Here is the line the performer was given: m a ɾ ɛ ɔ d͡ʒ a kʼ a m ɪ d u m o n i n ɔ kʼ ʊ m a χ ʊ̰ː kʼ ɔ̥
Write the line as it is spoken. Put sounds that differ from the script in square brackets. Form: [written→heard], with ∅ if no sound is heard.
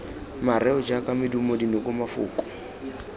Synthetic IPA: m a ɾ ɛ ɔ d͡ʒ a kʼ a m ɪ d u m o [n→d] i n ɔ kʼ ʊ m a [χ→f] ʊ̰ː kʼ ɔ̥

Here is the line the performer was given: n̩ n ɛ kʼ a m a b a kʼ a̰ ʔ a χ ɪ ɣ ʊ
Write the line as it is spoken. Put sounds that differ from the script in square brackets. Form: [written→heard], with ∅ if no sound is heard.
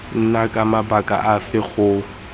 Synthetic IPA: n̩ n [ɛ→a] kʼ a m a b a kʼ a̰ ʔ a [χ→f] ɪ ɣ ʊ

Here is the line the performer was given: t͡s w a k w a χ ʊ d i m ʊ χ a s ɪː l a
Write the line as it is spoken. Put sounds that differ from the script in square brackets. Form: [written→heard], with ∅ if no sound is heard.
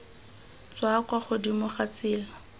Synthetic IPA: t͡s w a k w a χ ʊ d i m ʊ χ a [s→t͡s] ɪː l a

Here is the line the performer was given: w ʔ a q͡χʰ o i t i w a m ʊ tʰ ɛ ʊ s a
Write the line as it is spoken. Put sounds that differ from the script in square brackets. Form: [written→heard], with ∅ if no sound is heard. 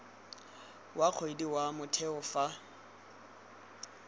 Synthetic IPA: w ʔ a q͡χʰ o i [t→d] i w a m ʊ tʰ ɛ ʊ [s→f] a

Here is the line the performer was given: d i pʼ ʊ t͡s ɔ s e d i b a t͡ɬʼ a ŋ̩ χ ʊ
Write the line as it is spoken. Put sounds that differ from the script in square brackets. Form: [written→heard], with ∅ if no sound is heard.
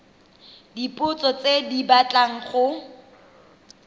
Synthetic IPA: d i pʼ ʊ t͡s ɔ [s→t͡s] e d i b a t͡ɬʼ a ŋ̩ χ ʊ

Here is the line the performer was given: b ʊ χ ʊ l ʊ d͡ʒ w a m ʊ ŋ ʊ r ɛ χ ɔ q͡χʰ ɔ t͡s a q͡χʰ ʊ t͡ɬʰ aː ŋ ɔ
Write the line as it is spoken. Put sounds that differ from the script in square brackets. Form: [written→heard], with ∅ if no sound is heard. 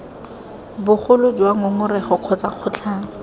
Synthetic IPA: b ʊ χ ʊ l ʊ d͡ʒ w a [m→ŋ] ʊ ŋ ʊ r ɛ χ ɔ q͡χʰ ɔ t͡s a q͡χʰ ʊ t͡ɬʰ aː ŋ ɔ

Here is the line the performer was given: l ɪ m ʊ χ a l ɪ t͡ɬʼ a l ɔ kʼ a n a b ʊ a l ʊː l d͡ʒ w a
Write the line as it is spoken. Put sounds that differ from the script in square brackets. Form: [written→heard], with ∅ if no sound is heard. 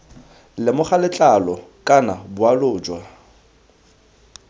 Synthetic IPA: l ɪ m ʊ χ a l ɪ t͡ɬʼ a l ɔ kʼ a n a b ʊ a l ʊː [l→∅] d͡ʒ w a

